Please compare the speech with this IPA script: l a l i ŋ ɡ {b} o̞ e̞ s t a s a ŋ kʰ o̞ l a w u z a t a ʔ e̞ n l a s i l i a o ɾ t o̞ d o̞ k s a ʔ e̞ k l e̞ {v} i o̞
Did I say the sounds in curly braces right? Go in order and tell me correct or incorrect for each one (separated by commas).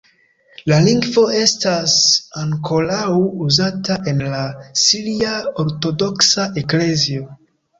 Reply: incorrect, incorrect